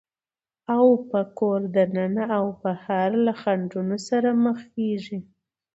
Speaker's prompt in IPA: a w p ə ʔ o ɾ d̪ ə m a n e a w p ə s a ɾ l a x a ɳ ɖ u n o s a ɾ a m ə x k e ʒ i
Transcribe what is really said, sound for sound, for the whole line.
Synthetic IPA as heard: a w p ə k o ɾ d̪ ə n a n a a w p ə h a ɾ l a x a ɳ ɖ u n o s a ɾ a m ə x k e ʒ i